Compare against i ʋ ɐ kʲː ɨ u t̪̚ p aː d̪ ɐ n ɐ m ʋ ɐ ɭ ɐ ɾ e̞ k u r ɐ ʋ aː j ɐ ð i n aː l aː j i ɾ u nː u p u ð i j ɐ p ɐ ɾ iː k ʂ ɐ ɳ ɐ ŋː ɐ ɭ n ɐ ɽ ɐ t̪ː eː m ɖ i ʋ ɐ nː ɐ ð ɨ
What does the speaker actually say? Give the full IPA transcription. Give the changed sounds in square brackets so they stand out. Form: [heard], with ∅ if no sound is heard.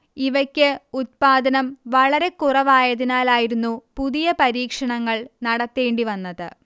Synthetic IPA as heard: i ʋ ɐ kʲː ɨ u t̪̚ p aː d̪ ɐ n ɐ m ʋ ɐ ɭ ɐ ɾ e̞ k u r ɐ ʋ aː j ɐ ð i n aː l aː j i ɾ u nː u p u ð i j ɐ p ɐ ɾ iː k ʂ ɐ ɳ ɐ ŋː ɐ ɭ n ɐ ɽ ɐ t̪ː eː [ɳ] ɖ i ʋ ɐ nː ɐ ð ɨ